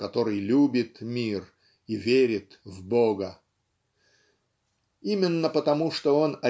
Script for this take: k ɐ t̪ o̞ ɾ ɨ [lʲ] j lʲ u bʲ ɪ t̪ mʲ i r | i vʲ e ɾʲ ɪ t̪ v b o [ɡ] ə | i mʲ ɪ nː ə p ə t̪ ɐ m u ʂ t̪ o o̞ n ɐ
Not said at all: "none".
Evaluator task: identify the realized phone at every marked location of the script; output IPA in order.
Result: none, ɡ

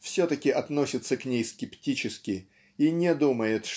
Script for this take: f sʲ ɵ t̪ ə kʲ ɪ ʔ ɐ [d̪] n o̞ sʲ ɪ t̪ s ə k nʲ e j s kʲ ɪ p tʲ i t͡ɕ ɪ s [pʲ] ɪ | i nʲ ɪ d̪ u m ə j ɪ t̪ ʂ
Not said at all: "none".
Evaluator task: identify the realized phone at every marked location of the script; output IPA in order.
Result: t̪, kʲ

